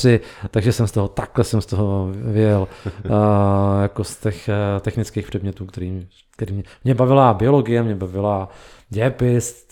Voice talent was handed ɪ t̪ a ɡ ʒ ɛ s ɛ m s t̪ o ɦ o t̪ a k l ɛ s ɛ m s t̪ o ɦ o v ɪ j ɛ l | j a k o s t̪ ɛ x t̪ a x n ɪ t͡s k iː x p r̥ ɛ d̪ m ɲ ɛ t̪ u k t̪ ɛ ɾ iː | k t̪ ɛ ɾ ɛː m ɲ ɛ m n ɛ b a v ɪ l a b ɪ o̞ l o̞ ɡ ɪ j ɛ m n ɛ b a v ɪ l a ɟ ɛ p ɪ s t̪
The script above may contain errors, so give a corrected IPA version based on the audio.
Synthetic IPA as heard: ɪ t̪ a ɡ ʒ ɛ s ɛ m s t̪ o ɦ o t̪ a k l ɛ s ɛ m s t̪ o ɦ o v ɪ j ɛ l | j a k o s t̪ ɛ x t̪ ɛ x n ɪ t͡s k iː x p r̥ ɛ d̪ m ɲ ɛ t̪ uː k t̪ ɛ ɾ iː | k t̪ ɛ ɾ iː m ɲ ɛ m ɲ ɛ b a v ɪ l a b ɪ o̞ l o̞ ɡ ɪ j ɛ m ɲ ɛ b a v ɪ l a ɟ ɛ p ɪ s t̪